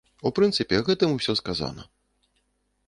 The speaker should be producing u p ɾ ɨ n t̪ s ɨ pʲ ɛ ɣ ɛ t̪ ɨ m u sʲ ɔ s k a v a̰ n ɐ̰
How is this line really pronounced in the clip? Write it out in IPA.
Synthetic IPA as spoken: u p ɾ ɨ n t̪ s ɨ pʲ ɛ ɣ ɛ t̪ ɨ m u sʲ ɔ s k a z a̰ n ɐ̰

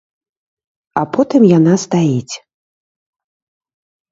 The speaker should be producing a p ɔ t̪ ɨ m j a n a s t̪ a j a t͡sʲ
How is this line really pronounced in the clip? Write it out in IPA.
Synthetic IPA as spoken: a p ɔ t̪ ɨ m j a n a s t̪ a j i t͡sʲ

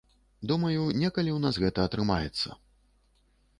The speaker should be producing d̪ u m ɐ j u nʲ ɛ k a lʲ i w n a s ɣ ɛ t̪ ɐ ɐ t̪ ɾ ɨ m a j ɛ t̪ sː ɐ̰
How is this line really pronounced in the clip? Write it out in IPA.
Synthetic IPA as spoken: d̪ u m ɐ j u nʲ ɛ k ɐ lʲ i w n a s ɣ ɛ t̪ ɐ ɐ t̪ ɾ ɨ m a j ɛ t̪ sː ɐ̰

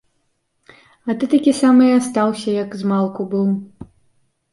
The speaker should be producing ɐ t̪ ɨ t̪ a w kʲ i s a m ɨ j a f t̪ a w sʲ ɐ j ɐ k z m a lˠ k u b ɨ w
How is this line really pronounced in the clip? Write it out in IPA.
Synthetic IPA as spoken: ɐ t̪ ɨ t̪ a kʲ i s a m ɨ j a s t̪ a w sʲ ɐ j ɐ k z m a lˠ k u b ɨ w

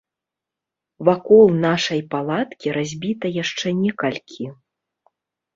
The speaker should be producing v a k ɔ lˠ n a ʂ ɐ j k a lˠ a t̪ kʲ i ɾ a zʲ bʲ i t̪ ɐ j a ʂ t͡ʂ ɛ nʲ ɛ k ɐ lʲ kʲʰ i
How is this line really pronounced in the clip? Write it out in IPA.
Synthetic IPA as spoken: v a k ɔ lˠ n a ʂ ɐ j p a lˠ a t̪ kʲ i ɾ a zʲ bʲ i t̪ ɐ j a ʂ t͡ʂ ɛ nʲ ɛ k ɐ lʲ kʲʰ i

